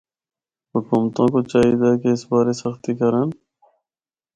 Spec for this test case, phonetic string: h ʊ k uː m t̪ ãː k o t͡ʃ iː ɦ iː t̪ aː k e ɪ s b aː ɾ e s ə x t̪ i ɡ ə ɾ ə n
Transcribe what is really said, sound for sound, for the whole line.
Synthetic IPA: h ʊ k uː m t̪ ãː k o t͡ʃ aː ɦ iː d̪ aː k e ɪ s b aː ɾ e s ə x t̪ i k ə ɾ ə n